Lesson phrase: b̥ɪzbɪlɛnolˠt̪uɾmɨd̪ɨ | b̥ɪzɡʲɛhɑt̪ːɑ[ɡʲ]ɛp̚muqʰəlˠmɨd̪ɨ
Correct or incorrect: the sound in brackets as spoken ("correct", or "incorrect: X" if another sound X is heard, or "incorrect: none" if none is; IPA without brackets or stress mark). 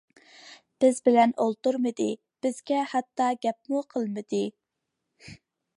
correct